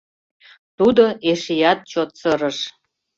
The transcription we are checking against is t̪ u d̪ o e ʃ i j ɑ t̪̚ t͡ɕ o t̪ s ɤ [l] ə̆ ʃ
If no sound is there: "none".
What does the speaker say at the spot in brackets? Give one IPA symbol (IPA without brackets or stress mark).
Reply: ɾ